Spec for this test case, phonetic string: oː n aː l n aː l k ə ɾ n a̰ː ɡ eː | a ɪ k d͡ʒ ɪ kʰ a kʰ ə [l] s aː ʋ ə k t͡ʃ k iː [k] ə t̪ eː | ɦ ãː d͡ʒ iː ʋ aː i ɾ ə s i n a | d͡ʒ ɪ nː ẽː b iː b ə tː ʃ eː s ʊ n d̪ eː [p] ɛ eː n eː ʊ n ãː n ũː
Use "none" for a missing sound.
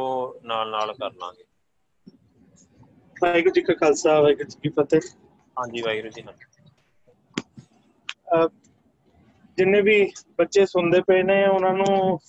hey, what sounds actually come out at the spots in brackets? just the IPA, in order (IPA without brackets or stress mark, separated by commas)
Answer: l, p, p